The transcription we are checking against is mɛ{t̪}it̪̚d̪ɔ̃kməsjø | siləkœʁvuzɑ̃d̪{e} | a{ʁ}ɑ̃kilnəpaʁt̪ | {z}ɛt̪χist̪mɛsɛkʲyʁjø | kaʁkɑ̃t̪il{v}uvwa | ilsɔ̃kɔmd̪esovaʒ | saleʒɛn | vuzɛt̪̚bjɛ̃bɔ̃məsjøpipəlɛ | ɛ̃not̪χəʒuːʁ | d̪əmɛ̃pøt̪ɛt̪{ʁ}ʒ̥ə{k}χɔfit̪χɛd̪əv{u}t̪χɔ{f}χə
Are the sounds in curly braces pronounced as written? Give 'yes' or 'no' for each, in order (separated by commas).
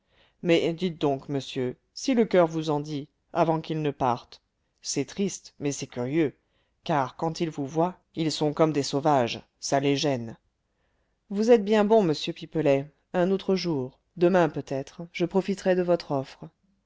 no, no, no, no, yes, no, no, no, yes